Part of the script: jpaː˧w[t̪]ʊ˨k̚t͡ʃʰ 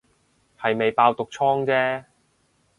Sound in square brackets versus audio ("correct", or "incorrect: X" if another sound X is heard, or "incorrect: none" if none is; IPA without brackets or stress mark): correct